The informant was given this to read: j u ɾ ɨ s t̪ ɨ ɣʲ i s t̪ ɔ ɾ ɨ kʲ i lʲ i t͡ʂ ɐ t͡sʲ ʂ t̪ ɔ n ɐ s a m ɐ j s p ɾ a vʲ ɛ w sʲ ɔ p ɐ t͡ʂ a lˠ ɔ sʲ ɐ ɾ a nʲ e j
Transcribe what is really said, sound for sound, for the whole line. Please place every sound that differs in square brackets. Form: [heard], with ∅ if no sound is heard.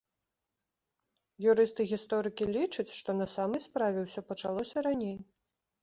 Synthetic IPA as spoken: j u ɾ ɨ s t̪ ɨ ɣʲ i s t̪ ɔ ɾ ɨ kʲ i lʲ i t͡ʂ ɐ t͡sʲ ʂ t̪ ɔ n ɐ s a m ɐ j s p ɾ a vʲ ɛ w sʲ ɔ p ɐ t͡ʂ a lˠ ɔ sʲ ɐ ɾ a nʲ e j